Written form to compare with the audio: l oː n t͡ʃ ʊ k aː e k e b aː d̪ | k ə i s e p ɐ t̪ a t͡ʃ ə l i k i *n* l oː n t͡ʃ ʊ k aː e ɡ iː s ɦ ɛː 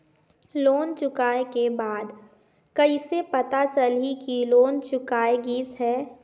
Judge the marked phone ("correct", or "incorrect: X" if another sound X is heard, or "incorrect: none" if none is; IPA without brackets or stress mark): incorrect: none